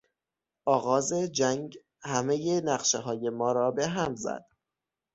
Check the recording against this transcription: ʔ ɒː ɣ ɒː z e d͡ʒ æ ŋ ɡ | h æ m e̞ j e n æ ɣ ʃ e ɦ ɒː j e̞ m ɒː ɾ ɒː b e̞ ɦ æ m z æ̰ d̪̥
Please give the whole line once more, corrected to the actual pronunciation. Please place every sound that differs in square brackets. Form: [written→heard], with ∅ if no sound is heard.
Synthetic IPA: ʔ ɒː ɣ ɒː z e d͡ʒ æ ŋ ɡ | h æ m e̞ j e n æ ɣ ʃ e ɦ ɒː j e̞ m ɒː ɾ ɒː b e̞ ɦ æ m z æ̰ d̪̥